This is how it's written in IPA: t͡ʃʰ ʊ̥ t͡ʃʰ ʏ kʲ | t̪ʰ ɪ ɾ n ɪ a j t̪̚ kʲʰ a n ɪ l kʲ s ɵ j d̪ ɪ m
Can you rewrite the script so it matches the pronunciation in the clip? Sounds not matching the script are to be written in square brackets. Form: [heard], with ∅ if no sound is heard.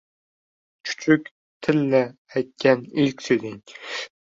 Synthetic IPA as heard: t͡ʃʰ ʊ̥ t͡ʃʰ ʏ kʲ | t̪ʰ ɪ [l] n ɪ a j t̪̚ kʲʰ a n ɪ l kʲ s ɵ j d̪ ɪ [ŋ]